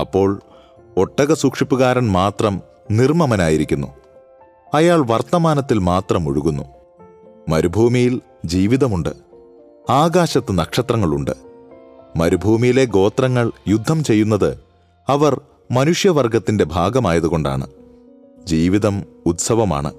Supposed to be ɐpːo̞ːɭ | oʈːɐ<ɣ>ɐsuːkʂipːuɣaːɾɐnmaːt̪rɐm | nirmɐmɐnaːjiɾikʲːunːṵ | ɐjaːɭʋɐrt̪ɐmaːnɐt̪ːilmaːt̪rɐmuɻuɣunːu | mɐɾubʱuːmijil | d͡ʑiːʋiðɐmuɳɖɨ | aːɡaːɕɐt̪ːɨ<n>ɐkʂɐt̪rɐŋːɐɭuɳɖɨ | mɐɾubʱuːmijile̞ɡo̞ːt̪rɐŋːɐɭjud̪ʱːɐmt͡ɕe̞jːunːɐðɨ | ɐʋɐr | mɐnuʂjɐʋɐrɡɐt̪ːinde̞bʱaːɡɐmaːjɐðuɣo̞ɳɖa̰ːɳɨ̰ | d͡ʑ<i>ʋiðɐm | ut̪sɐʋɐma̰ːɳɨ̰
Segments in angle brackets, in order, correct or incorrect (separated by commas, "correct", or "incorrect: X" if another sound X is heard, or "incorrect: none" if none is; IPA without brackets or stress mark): correct, correct, incorrect: iː